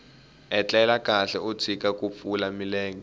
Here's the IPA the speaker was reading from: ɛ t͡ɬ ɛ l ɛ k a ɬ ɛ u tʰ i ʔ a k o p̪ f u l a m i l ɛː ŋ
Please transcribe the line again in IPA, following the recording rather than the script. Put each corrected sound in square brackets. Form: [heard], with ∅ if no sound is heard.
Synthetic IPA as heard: ɛ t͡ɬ ɛ l [a] k a ɬ ɛ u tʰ i [k] a k [u] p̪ f u l a m i l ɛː ŋ